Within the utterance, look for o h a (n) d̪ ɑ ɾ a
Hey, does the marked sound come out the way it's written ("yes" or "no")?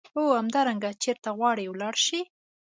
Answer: no